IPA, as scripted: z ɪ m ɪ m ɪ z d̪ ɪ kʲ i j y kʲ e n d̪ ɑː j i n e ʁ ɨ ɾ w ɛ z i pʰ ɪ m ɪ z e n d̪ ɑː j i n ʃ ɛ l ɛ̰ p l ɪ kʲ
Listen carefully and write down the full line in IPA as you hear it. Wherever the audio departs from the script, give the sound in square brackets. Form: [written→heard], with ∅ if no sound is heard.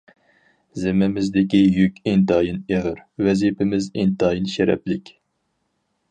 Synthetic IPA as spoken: z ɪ m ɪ m ɪ z d̪ ɪ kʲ i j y kʲ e n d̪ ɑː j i n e ʁ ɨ ɾ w ɛ z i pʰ ɪ m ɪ z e n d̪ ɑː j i n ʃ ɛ [l→ɾ] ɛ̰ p l ɪ kʲ